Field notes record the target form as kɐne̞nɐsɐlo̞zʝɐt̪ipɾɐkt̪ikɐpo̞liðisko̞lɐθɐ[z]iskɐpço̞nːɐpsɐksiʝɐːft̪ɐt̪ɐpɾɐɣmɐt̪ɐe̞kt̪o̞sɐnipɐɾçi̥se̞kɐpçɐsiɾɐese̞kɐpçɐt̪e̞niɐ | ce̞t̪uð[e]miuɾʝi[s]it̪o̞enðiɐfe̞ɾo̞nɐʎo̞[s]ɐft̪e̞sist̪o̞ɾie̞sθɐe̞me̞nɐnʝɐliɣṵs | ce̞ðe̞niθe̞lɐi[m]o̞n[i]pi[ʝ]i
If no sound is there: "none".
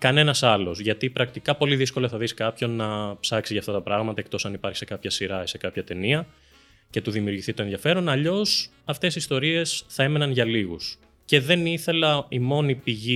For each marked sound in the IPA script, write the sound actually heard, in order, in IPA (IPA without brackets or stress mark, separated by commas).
ð, i, θ, s, m, i, ʝ